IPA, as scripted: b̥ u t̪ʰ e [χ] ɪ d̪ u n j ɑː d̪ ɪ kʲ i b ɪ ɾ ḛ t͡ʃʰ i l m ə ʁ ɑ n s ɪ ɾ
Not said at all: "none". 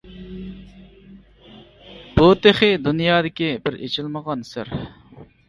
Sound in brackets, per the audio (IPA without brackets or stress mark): χ